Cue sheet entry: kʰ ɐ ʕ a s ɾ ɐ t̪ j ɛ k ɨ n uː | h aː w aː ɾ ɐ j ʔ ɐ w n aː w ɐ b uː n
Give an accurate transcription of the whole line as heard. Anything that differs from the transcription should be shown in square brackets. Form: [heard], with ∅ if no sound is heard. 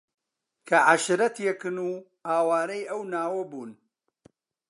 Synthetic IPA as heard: kʰ ɐ ʕ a [ʃ] ɾ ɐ t̪ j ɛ k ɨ n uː | h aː w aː ɾ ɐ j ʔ ɐ w n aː w ɐ b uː n